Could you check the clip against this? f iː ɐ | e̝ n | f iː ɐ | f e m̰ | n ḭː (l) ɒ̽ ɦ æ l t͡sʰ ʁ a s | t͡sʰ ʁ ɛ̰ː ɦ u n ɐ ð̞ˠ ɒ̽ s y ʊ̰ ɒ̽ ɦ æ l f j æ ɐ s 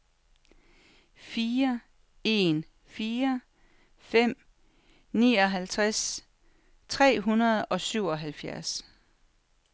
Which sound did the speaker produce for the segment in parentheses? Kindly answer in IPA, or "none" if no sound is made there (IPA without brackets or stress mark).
none